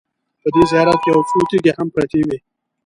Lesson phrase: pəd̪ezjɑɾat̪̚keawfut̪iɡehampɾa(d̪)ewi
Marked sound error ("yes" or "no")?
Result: yes